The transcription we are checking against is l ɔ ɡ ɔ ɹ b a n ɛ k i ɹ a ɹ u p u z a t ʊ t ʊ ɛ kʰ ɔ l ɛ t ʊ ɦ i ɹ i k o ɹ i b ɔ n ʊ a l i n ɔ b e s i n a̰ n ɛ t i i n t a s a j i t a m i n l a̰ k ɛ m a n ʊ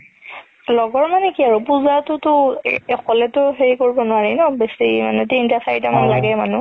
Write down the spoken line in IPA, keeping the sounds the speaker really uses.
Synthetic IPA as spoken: l ɔ ɡ ɔ ɹ m a n ɛ k i a ɹ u p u z a t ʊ t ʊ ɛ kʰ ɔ l ɛ t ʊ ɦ e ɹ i k o ɹ i b ɔ n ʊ a ɹ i n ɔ b e s i m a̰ n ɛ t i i n t a s a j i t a m a n l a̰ ɡ ɛ m a n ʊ